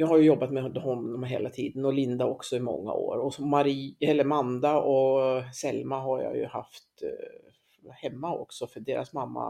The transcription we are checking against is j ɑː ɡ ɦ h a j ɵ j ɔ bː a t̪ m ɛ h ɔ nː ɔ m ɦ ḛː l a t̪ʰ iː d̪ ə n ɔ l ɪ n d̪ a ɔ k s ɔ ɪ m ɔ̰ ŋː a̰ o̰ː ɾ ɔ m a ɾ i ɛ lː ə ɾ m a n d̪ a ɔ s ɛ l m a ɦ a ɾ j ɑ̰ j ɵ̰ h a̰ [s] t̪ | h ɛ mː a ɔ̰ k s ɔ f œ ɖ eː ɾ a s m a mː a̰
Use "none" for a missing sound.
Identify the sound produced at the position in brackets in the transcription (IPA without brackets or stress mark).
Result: f